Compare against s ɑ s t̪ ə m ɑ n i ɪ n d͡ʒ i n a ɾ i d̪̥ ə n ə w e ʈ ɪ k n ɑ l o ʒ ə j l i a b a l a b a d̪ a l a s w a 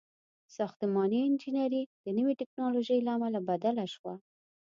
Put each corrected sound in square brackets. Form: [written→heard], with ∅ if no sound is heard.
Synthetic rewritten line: s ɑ [s→x] t̪ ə m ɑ n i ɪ n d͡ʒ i n a ɾ i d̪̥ ə n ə w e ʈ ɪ k n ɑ l o ʒ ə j l [i→a] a [b→m] a l a b a d̪ a l a [s→ʃ] w a